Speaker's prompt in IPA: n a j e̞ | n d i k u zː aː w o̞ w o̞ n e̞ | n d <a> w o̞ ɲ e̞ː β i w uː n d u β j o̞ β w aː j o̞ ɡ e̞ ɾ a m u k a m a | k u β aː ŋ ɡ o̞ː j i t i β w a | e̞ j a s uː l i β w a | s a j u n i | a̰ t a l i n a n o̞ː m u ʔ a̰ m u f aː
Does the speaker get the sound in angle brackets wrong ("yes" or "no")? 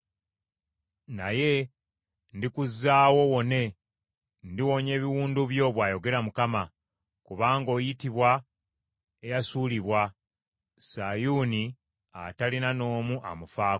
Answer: yes